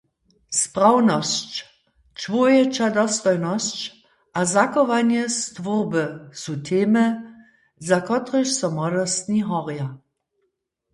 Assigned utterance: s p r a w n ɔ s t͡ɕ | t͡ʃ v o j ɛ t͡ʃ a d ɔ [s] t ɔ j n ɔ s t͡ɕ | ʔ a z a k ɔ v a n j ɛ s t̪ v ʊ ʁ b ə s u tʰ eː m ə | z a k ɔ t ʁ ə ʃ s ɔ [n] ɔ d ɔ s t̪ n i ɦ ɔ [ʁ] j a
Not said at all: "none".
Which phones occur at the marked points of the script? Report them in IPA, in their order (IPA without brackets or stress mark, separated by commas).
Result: s, m, ʁ